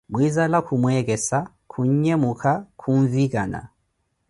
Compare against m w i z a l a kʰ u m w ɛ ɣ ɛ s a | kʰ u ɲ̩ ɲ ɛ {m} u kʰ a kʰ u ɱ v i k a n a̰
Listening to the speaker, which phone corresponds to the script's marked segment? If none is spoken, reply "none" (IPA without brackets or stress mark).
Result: m